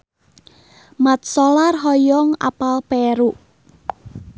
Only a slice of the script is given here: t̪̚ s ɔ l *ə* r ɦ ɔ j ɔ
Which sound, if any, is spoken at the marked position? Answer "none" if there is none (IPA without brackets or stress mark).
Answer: a